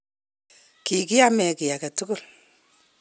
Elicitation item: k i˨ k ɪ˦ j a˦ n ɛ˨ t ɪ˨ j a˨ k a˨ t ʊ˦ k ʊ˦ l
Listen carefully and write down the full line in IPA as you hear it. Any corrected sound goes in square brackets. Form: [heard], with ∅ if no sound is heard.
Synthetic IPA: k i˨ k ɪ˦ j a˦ [m] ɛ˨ [k] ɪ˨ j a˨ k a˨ t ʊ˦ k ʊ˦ l